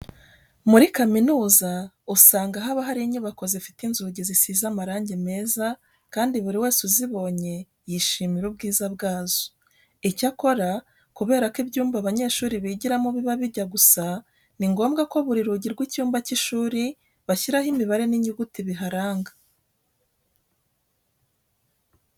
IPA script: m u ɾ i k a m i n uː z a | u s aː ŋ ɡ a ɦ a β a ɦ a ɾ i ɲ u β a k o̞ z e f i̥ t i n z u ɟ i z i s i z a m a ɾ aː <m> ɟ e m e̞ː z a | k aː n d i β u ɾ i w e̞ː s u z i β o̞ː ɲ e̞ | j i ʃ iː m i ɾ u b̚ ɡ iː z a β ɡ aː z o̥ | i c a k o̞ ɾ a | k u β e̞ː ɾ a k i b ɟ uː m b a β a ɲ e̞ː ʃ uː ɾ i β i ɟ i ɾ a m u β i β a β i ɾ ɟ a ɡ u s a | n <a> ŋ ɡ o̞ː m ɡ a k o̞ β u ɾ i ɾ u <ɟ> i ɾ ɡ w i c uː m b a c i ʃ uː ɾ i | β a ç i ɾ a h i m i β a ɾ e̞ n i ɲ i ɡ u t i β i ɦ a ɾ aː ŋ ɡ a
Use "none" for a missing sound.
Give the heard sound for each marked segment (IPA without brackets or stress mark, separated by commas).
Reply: ɲ, i, ɟ